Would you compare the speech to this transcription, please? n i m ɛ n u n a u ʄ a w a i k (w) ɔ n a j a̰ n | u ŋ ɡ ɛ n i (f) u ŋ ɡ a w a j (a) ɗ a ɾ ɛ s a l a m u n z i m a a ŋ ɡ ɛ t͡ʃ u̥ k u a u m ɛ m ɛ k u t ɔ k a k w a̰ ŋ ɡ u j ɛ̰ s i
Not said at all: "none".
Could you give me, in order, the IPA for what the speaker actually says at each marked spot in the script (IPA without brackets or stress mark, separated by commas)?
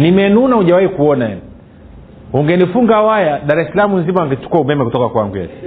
u, f, a